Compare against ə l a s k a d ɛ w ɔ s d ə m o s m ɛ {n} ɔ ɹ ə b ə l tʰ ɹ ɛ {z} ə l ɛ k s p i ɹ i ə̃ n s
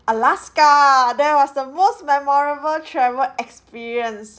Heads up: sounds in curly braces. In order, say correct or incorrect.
incorrect: m, incorrect: v

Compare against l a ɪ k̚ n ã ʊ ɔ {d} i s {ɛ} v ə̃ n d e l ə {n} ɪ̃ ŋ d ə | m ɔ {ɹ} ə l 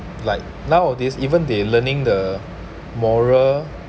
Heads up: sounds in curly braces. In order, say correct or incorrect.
correct, incorrect: i, correct, correct

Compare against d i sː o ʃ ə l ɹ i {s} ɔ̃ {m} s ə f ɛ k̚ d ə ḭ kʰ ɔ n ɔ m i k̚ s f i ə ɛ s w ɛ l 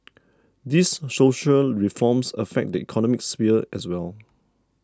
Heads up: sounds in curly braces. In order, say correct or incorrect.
incorrect: f, correct

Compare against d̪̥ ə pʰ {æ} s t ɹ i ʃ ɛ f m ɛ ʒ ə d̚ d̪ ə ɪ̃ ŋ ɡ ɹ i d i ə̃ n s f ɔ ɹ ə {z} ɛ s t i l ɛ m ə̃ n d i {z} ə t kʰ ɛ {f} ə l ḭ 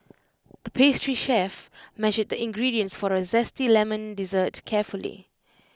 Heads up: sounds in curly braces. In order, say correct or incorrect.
incorrect: e, correct, correct, correct

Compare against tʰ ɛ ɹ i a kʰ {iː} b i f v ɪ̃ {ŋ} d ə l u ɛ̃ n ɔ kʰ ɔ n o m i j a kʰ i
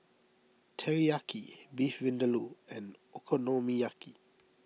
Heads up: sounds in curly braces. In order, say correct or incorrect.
incorrect: i, incorrect: n

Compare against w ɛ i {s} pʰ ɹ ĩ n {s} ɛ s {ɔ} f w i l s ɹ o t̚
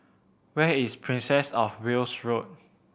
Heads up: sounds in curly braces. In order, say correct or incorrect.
correct, correct, correct

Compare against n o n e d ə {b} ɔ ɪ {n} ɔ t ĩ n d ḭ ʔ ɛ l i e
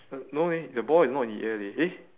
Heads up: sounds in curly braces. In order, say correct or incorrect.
correct, correct

